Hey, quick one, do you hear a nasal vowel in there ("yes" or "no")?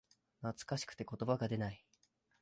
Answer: no